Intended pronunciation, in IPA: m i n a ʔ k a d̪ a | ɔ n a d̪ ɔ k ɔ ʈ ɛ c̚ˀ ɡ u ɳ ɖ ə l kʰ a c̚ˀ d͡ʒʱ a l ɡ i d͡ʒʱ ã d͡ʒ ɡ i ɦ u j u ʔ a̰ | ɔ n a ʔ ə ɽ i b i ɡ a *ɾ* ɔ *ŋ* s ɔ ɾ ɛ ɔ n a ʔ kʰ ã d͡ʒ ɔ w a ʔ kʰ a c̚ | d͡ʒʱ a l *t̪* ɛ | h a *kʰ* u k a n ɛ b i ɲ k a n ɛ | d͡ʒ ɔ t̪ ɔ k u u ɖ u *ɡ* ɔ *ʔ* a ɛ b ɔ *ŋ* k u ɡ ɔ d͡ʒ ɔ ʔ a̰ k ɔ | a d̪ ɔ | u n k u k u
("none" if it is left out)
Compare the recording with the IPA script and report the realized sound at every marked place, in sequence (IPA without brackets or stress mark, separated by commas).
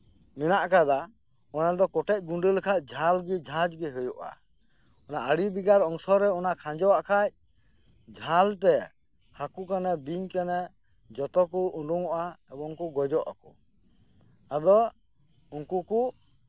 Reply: ɾ, ŋ, t̪, k, ŋ, ʔ, ŋ